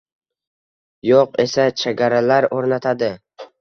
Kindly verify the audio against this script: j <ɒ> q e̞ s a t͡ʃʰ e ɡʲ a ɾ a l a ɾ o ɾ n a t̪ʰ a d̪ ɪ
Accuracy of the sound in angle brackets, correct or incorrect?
incorrect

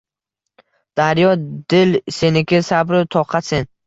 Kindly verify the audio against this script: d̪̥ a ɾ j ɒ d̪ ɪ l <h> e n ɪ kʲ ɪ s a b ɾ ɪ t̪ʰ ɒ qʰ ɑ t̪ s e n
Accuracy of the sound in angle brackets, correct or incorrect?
incorrect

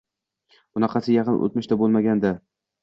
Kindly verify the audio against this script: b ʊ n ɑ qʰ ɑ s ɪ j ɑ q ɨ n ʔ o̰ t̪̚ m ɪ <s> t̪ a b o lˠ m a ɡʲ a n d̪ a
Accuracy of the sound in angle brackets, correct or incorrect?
incorrect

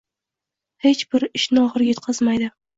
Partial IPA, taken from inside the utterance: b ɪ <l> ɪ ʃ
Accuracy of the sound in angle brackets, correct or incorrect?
incorrect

